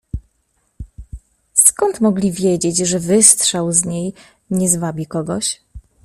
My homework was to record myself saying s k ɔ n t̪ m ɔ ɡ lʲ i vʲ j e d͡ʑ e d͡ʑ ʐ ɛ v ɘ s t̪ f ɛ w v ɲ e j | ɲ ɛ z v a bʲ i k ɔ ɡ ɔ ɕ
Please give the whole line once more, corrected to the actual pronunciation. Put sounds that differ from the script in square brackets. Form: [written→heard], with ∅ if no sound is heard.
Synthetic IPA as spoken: s k ɔ n t̪ m ɔ ɡ lʲ i vʲ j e d͡ʑ e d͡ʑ ʐ ɛ v ɘ s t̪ [f→ʂ] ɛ w [v→z] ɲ e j | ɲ ɛ z v a bʲ i k ɔ ɡ ɔ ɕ